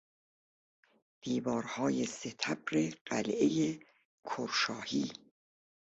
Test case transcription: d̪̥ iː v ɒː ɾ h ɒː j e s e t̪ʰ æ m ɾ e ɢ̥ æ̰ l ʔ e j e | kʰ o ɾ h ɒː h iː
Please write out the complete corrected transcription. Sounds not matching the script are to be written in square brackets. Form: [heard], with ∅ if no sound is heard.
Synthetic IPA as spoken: d̪̥ iː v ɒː ɾ h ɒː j e s e t̪ʰ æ [b] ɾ e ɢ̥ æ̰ l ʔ e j e | kʰ o ɾ [ʃ] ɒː h iː

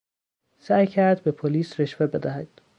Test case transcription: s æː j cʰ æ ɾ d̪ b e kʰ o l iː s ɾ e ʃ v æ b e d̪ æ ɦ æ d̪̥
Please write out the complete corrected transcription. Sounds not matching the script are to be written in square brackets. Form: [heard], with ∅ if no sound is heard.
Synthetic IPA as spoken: s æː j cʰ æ ɾ d̪ b e [pʰ] o l iː s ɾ e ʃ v [e] b e d̪ æ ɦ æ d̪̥

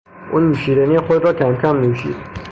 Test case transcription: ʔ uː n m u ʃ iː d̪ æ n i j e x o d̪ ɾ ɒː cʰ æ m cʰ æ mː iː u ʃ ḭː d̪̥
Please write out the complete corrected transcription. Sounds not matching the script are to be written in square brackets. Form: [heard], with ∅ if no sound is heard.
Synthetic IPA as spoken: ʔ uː n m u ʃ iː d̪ æ n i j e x o d̪ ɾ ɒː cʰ æ m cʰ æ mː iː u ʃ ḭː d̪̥

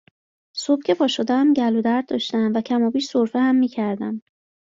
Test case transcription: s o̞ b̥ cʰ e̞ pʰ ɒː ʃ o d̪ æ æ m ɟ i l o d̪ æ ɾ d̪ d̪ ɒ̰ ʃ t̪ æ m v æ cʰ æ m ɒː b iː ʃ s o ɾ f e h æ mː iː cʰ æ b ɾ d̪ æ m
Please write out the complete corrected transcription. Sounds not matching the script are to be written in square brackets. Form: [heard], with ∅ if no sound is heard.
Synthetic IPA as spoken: s o̞ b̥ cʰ e̞ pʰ ɒː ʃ o d̪ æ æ m ɟ [æ] l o d̪ æ ɾ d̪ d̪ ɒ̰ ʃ t̪ æ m v æ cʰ æ m ɒː b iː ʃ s o ɾ f e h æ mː iː cʰ æ [∅] ɾ d̪ æ m

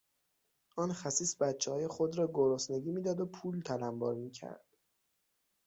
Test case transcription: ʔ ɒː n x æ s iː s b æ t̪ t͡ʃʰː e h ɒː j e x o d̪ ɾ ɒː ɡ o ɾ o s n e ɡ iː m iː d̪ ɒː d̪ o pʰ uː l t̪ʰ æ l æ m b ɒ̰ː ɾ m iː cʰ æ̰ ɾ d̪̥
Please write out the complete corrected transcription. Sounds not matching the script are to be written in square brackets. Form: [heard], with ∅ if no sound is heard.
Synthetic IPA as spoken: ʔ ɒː n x æ s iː s b æ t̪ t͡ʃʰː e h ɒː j e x o d̪ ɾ ɒː ɡ o ɾ o s n e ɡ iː m iː d̪ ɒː d̪ o pʰ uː l t̪ʰ æ l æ m b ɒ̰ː ɾ m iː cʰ æ̰ ɾ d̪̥

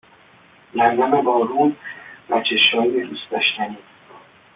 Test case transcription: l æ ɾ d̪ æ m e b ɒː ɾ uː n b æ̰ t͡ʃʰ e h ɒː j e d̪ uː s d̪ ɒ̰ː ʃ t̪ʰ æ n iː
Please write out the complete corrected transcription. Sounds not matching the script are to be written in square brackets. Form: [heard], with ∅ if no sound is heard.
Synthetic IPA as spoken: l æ ɾ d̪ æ m e b ɒː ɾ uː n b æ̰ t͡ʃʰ e [ʃ] ɒː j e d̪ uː s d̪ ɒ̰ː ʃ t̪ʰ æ n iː

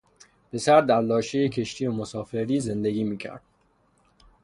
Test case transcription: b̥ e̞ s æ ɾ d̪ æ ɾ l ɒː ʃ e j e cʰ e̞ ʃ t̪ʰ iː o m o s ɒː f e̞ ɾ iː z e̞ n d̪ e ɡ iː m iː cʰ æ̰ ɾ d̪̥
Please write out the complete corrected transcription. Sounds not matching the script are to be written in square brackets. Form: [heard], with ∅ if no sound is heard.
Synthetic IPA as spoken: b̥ e̞ s æ ɾ d̪ æ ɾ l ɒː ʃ e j e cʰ e̞ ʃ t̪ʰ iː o m o s ɒː f e̞ ɾ iː z e̞ n d̪ e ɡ iː m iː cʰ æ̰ ɾ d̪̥

